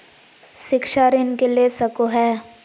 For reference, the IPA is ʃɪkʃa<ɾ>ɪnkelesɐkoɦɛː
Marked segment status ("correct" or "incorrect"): correct